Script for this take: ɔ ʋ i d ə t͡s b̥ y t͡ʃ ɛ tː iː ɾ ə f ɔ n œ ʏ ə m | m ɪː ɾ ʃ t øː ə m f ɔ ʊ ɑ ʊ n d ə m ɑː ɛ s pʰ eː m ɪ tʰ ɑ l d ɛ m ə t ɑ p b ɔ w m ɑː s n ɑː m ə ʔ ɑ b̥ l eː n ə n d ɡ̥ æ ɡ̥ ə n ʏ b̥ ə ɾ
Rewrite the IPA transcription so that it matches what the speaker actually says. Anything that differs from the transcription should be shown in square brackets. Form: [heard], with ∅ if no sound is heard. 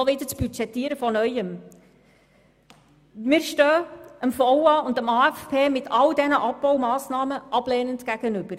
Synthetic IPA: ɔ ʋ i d ə t͡s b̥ y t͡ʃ ɛ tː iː ɾ ə f ɔ n œ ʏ ə m | m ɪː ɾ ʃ t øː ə m f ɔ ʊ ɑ ʊ n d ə m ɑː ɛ [f] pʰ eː m ɪ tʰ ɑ l d ɛ [n] ə [ʔ] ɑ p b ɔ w m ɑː s n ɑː m ə ʔ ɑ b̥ l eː n ə n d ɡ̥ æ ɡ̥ ə n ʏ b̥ ə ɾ